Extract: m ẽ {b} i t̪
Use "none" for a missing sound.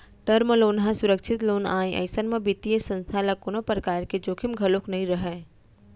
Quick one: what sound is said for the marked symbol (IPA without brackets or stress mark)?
b